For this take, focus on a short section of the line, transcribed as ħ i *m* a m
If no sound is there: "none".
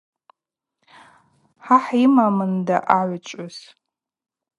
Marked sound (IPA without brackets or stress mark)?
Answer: m